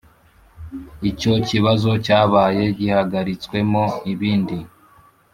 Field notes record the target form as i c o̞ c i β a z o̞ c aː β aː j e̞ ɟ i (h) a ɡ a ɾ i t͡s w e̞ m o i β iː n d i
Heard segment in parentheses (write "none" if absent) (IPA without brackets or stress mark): h